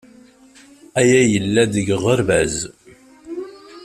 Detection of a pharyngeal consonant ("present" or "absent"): absent